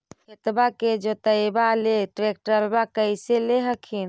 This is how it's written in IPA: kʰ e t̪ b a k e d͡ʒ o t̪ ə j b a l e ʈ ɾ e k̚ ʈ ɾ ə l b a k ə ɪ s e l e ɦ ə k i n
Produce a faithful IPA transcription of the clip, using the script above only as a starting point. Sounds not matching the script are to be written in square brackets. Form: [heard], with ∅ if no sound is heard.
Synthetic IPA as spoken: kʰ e t̪ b a k e d͡ʒ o t̪ ə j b a l e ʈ ɾ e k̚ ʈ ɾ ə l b a k ə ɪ s e l e ɦ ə [kʰ] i n